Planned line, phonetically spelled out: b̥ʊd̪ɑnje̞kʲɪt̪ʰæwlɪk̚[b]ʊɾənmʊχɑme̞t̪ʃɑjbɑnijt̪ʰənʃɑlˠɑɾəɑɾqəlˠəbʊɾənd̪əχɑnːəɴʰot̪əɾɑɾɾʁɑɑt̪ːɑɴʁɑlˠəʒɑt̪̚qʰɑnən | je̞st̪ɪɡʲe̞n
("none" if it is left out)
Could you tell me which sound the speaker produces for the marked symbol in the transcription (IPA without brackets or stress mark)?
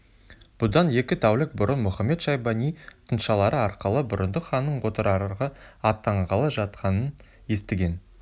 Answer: b